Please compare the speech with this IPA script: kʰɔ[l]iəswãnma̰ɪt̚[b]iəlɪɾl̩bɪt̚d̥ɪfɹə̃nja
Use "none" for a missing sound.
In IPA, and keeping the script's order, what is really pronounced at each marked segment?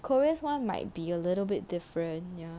ɹ, b

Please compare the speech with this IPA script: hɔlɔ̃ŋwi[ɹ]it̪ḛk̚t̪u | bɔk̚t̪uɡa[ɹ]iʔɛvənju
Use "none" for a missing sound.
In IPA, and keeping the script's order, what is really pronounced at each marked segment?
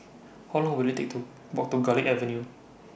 l, l

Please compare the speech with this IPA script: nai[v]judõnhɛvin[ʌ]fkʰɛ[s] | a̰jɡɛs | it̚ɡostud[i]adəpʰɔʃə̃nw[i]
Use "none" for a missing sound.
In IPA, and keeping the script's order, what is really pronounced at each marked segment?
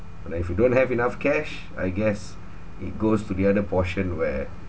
f, a, ʃ, i, ɛ

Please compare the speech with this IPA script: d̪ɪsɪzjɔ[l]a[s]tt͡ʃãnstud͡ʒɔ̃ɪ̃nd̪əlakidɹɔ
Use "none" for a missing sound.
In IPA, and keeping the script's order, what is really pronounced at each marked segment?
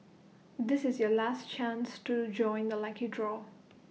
l, s

